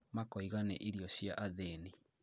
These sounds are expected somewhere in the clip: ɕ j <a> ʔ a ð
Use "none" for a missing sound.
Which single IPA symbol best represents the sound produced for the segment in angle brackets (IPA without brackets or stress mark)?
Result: a